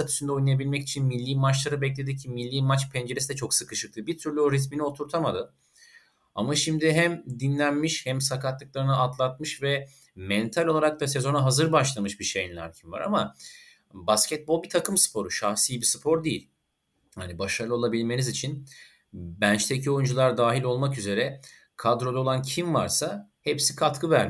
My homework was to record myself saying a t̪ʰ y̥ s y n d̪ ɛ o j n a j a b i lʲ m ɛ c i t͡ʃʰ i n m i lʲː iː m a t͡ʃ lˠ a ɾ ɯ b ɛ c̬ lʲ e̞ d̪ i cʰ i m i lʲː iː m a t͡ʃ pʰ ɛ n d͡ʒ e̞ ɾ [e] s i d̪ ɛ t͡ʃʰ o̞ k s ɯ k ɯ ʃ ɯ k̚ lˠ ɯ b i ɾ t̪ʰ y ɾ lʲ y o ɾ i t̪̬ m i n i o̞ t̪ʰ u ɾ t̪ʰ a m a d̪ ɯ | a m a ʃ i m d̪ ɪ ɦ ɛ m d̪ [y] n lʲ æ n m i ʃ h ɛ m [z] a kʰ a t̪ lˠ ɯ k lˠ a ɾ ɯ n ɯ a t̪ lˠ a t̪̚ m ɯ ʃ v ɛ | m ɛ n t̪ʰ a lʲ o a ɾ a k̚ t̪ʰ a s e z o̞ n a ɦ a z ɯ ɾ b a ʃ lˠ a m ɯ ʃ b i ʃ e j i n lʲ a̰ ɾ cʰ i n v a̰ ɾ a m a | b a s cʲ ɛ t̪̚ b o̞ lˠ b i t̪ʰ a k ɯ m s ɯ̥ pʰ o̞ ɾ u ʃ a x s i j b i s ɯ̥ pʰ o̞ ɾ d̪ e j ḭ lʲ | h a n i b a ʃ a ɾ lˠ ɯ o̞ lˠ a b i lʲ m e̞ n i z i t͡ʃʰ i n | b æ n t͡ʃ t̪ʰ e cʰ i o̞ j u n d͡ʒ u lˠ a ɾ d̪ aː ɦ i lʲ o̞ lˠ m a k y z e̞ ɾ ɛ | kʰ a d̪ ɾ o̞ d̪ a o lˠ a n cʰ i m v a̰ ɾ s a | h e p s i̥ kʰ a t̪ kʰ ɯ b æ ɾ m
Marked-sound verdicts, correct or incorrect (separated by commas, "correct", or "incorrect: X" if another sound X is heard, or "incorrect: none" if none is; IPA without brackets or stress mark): correct, incorrect: i, incorrect: s